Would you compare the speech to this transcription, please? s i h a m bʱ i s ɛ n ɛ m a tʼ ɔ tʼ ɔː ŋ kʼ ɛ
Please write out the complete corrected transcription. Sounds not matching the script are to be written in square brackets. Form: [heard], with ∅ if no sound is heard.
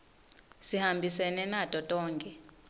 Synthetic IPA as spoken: s i h a m bʱ i s ɛ n ɛ [n] a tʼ ɔ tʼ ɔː ŋ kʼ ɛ